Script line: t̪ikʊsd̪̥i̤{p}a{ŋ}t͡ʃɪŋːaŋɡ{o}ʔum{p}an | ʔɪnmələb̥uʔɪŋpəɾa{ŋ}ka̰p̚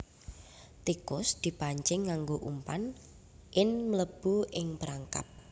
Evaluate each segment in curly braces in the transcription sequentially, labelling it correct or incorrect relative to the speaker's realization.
correct, incorrect: ɲ, correct, correct, correct

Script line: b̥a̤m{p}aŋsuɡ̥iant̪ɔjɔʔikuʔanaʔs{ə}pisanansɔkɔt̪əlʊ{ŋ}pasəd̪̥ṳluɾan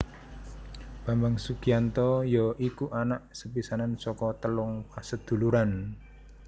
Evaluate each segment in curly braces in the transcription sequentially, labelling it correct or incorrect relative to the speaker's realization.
incorrect: b, correct, correct

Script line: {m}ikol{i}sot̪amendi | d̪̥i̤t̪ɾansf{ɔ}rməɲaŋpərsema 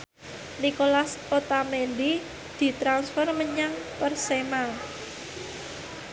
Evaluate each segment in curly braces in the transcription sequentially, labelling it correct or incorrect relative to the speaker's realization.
incorrect: n, incorrect: a, correct

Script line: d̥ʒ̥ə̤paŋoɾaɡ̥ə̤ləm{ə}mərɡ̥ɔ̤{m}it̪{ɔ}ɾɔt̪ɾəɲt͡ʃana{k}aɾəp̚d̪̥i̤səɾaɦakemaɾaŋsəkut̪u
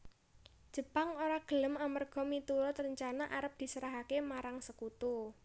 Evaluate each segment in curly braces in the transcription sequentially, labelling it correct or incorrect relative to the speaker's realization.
incorrect: a, correct, incorrect: u, incorrect: ʔ

